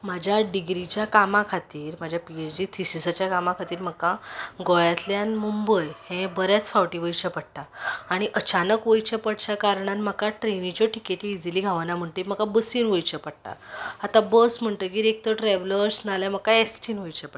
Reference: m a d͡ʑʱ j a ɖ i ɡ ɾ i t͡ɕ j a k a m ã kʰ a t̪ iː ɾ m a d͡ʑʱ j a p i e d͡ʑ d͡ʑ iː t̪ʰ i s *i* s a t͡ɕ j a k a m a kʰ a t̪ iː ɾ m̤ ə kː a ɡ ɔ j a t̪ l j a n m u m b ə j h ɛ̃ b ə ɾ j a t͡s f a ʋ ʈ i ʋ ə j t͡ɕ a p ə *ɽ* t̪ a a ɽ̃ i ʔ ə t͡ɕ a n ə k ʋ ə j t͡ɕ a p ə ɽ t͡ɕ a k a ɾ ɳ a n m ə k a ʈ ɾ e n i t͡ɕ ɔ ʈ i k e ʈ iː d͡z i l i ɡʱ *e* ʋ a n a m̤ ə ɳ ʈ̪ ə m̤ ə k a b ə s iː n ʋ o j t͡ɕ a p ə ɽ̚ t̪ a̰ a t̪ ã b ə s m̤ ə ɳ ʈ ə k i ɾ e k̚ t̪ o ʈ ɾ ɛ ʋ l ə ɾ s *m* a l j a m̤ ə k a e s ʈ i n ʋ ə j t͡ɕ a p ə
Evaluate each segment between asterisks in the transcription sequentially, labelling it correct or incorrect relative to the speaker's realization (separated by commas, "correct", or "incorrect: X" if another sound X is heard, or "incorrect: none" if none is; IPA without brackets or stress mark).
correct, correct, incorrect: a, incorrect: n